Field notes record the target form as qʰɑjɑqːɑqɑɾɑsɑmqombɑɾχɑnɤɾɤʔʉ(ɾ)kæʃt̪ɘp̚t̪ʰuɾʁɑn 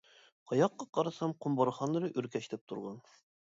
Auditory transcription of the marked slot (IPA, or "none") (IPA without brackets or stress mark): ɾ